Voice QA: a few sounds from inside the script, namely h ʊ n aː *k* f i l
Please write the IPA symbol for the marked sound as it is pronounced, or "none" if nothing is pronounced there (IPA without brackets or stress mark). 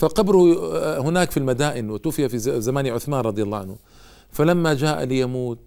k